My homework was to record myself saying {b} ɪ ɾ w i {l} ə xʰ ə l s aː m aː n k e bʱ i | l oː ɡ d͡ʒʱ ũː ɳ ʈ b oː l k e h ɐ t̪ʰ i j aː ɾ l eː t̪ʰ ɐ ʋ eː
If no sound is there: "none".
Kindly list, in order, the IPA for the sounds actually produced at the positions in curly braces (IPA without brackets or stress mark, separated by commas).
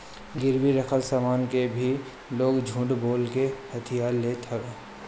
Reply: ɡ, ɾ